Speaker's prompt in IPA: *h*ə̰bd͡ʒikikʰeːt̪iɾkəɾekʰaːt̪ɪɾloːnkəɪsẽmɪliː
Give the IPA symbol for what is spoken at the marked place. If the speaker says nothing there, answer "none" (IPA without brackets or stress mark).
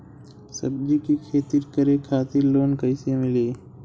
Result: s